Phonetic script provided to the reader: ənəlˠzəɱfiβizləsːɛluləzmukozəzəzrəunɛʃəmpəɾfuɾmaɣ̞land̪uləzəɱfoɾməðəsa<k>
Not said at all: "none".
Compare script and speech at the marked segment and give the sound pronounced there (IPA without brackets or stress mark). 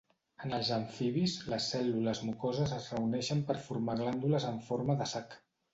k